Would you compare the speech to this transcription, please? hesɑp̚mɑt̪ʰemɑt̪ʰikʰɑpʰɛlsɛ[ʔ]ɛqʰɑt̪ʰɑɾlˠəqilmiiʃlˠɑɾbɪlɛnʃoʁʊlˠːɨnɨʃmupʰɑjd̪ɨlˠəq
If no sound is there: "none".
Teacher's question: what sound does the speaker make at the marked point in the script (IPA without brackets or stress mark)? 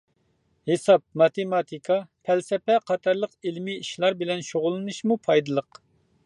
p